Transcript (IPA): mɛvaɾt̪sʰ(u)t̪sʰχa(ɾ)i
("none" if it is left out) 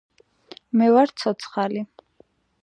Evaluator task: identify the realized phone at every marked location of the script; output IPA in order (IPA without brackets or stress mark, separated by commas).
ɔ, l